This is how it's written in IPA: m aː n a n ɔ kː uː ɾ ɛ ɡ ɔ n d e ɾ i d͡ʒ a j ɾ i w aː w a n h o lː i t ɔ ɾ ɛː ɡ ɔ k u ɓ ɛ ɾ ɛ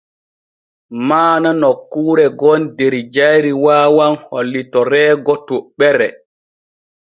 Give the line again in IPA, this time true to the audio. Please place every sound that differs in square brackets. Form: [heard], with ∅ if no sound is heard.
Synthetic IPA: m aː n a n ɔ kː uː ɾ ɛ ɡ ɔ n d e ɾ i d͡ʒ a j ɾ i w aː w a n h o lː i t ɔ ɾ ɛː ɡ ɔ [t] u ɓ ɛ ɾ ɛ